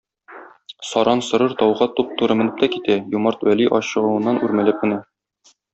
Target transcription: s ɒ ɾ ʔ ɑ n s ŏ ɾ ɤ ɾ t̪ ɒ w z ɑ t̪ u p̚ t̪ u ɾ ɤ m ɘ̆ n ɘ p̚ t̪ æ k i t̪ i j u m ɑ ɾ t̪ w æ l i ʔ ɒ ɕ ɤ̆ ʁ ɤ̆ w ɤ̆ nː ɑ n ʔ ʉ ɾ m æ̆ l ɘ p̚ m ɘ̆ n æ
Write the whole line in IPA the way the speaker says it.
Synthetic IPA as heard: s ɒ ɾ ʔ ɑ n s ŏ ɾ ɤ ɾ t̪ ɒ w ʁ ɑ t̪ u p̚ t̪ u ɾ ɤ m ɘ̆ n ɘ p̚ t̪ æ k i t̪ æ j u m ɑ ɾ t̪ w æ l i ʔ ɒ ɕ ɤ̆ ʁ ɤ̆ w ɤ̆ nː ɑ n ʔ ʉ ɾ m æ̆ l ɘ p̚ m ɘ̆ n æ